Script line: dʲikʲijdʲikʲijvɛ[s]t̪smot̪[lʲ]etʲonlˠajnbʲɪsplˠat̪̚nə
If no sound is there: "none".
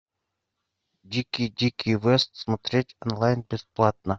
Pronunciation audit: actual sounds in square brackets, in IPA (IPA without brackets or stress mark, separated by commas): s, ɾʲ